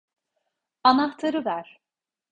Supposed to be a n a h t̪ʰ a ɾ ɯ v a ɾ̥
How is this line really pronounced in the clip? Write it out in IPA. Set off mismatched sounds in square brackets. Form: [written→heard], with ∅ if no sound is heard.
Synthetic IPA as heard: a n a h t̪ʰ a ɾ ɯ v [a→æ] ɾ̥